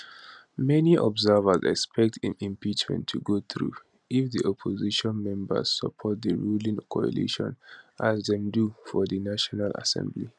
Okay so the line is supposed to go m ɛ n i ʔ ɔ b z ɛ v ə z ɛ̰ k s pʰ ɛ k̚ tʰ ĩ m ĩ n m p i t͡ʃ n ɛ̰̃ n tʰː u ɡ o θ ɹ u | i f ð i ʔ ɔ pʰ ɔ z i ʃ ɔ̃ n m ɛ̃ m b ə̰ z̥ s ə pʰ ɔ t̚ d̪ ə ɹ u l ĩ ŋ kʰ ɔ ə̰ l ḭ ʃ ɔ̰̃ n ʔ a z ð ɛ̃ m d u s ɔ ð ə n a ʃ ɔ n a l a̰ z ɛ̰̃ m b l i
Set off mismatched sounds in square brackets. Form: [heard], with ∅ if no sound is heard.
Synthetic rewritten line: m ɛ n i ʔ ɔ b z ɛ v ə z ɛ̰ k s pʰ ɛ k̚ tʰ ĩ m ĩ [∅] m p i t͡ʃ [m] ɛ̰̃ n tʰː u ɡ o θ ɹ u | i f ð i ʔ ɔ pʰ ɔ z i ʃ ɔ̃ n m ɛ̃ m b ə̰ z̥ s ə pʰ ɔ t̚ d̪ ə ɹ u l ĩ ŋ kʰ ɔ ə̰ l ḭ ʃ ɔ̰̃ n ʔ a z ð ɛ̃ m d u [f] ɔ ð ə n a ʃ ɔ n a l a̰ [s] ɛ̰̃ m b l i